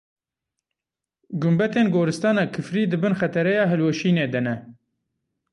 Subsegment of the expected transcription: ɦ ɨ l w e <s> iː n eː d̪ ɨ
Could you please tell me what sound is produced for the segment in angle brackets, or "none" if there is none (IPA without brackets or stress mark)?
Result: ʃ